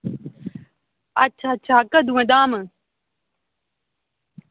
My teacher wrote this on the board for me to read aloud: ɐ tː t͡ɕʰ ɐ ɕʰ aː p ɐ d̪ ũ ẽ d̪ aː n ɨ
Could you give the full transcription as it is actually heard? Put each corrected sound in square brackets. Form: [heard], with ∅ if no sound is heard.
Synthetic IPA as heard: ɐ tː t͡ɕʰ [a] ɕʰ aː [k] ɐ d̪ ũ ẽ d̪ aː [m] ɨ